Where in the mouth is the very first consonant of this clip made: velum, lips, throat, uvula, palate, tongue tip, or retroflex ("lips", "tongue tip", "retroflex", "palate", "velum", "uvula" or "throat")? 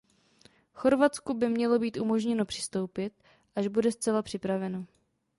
velum